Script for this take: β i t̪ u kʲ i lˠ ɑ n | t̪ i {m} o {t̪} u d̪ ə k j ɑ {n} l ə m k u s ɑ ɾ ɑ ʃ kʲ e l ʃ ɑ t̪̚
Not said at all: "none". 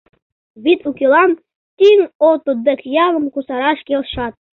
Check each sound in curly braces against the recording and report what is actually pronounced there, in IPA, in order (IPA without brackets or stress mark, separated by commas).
ŋ, t̪, none